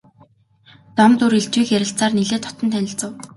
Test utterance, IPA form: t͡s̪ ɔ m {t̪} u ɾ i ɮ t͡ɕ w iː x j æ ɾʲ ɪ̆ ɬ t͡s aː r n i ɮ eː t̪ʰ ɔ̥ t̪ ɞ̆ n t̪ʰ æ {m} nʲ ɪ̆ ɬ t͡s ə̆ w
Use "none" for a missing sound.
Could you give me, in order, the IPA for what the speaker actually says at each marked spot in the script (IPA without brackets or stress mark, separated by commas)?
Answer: t̪, none